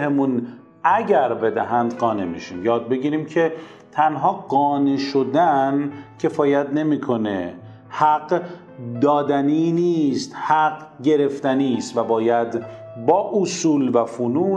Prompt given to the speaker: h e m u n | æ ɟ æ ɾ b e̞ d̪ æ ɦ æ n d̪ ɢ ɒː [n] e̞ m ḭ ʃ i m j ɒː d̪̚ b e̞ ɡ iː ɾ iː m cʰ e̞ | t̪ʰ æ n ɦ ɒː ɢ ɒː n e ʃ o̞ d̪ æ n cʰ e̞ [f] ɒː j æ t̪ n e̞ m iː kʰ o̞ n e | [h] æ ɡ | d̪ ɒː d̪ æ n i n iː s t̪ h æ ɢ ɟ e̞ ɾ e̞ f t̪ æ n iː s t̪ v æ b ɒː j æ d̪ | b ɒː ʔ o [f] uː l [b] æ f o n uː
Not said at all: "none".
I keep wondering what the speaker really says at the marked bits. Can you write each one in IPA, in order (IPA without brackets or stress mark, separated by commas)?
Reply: n, f, h, s, v